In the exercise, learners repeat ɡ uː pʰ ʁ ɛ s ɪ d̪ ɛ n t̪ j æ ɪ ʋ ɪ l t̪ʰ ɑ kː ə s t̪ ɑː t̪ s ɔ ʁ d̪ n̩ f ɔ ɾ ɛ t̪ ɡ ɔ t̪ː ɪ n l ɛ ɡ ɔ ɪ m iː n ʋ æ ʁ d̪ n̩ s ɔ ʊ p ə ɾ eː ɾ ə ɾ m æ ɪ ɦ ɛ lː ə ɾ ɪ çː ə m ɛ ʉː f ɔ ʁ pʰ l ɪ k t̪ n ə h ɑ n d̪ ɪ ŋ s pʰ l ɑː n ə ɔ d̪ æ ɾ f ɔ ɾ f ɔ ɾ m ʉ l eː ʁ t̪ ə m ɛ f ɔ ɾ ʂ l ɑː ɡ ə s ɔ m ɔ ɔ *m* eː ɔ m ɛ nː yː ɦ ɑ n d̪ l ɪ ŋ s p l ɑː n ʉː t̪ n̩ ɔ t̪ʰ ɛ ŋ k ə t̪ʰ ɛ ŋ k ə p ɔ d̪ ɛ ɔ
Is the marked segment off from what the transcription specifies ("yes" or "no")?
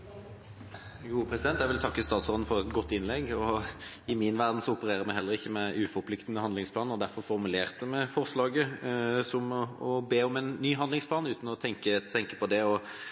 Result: yes